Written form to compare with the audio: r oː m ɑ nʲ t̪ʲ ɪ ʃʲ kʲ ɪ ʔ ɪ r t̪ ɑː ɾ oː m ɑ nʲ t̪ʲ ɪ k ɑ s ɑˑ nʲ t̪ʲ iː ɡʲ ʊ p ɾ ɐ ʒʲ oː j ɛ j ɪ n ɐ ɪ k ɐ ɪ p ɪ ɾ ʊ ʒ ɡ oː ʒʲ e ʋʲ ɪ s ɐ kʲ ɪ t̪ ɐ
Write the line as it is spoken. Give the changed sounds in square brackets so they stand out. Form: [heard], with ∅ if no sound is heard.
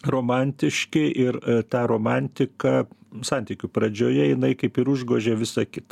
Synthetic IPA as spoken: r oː m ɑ nʲ t̪ʲ ɪ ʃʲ kʲ ɪ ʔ ɪ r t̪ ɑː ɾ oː m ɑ nʲ t̪ʲ ɪ k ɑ s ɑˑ nʲ t̪ʲ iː [kʲ] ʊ p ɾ ɐ [d͡ʒʲ] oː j ɛ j ɪ n ɐ ɪ k ɐ ɪ p ɪ ɾ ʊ ʒ ɡ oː ʒʲ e ʋʲ ɪ s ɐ kʲ ɪ t̪ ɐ